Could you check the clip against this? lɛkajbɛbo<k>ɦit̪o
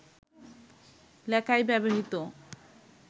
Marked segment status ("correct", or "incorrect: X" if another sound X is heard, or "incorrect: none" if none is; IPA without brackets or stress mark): incorrect: none